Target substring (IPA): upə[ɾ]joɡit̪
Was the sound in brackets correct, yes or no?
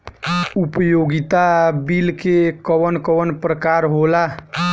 no